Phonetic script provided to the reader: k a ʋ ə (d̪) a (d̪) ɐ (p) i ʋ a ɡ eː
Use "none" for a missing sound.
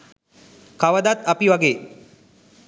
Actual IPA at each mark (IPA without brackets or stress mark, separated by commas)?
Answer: d̪, t̪, p